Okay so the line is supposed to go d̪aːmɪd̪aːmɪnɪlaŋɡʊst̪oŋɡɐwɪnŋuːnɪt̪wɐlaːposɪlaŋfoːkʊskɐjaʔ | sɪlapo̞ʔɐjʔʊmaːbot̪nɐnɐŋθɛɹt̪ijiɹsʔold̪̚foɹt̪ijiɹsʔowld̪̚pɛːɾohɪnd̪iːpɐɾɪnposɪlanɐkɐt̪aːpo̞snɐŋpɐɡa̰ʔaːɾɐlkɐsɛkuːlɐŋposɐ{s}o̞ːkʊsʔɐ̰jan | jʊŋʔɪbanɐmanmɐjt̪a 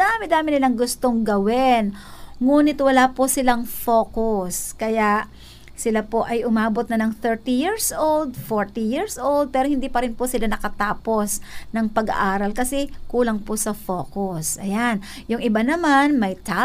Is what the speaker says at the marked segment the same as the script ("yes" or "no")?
no